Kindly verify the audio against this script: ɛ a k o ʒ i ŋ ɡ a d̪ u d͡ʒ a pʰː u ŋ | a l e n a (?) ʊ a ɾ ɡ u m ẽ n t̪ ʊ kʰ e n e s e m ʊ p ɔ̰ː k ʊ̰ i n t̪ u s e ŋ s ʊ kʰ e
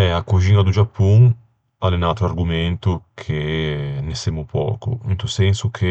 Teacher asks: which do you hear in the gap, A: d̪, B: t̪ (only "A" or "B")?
B